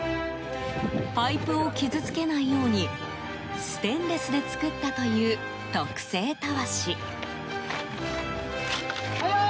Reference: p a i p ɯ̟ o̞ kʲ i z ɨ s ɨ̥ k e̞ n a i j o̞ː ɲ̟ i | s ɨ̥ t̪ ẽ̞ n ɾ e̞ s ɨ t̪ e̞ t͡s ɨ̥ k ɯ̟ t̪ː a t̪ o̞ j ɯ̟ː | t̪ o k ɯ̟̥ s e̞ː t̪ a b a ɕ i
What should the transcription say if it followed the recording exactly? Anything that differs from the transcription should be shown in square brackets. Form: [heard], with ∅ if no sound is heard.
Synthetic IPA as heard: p a i p ɯ̟ o̞ kʲ i z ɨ [t͡s] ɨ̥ k e̞ n a i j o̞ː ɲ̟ i | s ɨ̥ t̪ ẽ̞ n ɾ e̞ s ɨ [d̪] e̞ t͡s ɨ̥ k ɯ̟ t̪ː a t̪ o̞ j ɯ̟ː | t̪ o k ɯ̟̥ s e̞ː t̪ a [β] a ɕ i